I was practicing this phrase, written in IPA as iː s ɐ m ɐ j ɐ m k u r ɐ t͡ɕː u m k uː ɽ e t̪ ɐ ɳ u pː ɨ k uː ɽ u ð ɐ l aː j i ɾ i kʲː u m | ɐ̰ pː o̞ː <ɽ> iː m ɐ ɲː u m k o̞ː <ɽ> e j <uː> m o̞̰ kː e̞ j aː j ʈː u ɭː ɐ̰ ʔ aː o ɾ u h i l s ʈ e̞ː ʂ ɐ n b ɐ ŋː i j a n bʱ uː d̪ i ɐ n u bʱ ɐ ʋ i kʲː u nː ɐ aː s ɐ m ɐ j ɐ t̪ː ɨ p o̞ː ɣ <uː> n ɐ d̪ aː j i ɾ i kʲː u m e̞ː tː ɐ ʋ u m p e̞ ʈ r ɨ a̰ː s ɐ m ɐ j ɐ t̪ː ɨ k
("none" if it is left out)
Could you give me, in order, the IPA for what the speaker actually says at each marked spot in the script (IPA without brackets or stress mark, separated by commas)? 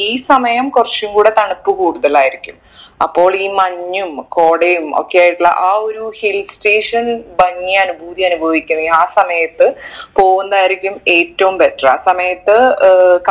ɭ, ɽ, u, u